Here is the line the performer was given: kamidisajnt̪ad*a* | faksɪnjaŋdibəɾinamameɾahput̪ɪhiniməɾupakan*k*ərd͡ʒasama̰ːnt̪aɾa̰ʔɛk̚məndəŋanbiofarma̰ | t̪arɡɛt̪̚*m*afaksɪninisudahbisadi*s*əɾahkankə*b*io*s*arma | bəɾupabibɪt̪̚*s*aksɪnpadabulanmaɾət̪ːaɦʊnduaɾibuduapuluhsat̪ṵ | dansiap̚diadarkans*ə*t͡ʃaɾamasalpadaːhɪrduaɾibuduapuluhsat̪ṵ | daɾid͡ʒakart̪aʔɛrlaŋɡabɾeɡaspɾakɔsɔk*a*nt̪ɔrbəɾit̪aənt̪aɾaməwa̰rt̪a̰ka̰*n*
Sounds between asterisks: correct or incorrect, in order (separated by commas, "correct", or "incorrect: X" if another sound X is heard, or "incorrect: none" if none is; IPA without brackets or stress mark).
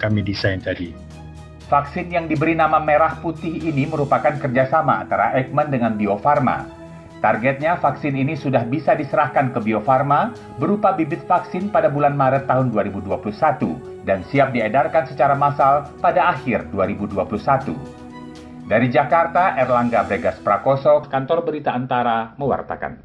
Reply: incorrect: i, correct, incorrect: ɲ, correct, correct, incorrect: f, incorrect: f, correct, correct, correct